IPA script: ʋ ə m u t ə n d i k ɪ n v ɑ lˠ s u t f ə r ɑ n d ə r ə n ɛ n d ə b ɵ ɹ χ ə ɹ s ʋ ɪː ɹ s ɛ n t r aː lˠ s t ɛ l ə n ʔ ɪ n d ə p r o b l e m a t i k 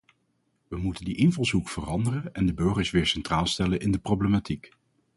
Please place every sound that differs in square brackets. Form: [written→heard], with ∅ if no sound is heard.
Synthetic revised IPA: ʋ ə m u t ə n d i [k→ʔ] ɪ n v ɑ lˠ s u [t→k] f ə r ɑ n d ə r ə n ɛ n d ə b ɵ ɹ χ ə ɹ s ʋ ɪː ɹ s ɛ n t r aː lˠ s t ɛ l ə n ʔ ɪ n d ə p r o b l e m a t i k